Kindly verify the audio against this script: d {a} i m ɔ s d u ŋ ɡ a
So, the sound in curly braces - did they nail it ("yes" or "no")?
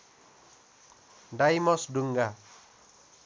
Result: yes